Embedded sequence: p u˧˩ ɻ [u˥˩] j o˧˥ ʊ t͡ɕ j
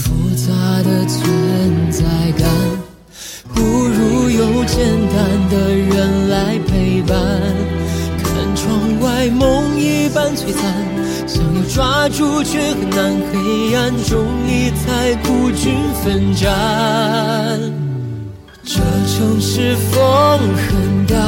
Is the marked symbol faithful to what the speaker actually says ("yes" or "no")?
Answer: no